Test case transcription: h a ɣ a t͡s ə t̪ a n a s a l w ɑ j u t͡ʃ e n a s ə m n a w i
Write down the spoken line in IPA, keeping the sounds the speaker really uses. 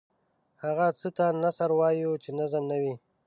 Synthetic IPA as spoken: h a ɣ a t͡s ə t̪ a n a s a ɾ w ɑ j u t͡ʃ e n a z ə m n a w i